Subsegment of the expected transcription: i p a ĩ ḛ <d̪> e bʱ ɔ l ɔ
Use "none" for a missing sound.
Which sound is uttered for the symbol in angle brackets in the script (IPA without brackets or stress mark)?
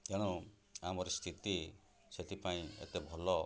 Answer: t̪